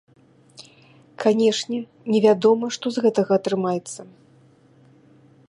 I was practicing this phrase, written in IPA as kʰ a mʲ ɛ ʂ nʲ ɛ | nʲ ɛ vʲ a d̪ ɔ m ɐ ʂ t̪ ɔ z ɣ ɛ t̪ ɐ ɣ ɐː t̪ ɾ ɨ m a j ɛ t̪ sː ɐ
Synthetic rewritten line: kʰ a nʲ ɛ ʂ nʲ ɛ | nʲ ɛ vʲ a d̪ ɔ m ɐ ʂ t̪ ɔ z ɣ ɛ t̪ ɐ ɣ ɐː t̪ ɾ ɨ m a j ɛ t̪ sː ɐ